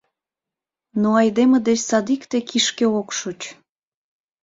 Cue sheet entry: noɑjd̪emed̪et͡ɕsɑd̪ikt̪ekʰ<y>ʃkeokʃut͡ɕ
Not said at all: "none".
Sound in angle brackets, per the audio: i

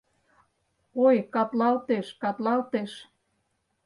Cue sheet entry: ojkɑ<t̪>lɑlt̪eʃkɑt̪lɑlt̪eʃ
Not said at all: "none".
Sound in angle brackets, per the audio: t̪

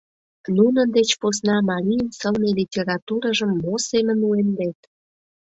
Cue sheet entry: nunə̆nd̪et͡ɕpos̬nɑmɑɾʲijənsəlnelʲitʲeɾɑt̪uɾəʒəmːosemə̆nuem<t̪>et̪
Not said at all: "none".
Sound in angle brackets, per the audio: d̪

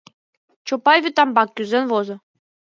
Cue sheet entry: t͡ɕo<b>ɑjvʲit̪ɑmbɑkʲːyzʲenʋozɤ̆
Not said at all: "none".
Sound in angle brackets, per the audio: p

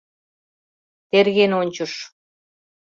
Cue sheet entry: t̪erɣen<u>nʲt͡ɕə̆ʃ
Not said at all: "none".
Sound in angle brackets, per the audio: o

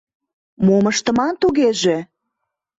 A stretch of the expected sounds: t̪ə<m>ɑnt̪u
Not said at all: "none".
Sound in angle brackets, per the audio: m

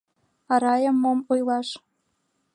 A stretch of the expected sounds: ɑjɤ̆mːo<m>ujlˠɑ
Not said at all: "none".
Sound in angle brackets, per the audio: m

